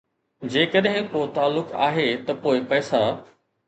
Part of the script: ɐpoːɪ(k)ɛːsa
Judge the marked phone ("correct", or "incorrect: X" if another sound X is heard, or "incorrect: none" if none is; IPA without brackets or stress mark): incorrect: p